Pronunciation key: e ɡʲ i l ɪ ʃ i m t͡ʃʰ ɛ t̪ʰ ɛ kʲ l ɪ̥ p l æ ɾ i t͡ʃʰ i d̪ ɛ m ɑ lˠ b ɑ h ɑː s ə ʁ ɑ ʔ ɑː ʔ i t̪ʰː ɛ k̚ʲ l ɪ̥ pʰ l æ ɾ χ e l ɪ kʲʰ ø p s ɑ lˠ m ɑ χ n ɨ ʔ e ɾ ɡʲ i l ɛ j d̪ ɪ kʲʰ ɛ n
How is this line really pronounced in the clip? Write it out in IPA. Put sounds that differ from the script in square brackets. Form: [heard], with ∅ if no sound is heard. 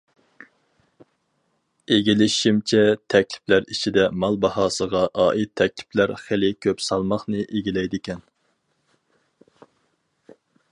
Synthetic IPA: e ɡʲ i l ɪ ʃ i m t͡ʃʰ ɛ t̪ʰ ɛ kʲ l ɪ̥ p l æ ɾ i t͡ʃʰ i d̪ ɛ m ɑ lˠ b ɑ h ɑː s ə ʁ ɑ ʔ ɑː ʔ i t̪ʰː ɛ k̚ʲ l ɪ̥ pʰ l æ ɾ χ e l ɪ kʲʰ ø p s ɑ lˠ m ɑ χ n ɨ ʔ e [∅] ɡʲ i l ɛ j d̪ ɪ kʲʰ ɛ n